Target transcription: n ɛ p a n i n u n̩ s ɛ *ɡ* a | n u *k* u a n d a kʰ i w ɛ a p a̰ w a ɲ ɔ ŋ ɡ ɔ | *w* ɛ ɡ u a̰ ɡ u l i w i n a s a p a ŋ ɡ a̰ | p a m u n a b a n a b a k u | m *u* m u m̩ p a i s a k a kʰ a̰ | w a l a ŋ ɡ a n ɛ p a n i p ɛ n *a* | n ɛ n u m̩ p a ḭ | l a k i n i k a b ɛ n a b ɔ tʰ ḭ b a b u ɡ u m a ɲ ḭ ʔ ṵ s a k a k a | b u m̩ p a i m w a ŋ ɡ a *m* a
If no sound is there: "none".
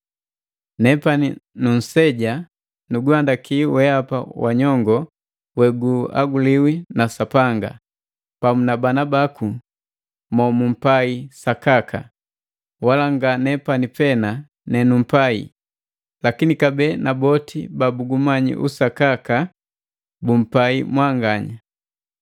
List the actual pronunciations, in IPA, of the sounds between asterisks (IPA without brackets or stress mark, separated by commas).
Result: ɟ, ɡ, w, ɔ, a, ɲ